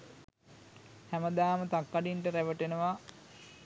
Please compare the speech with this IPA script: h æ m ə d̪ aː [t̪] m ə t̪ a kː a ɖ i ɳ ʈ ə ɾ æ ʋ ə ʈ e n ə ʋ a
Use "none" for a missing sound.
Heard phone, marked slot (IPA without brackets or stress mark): none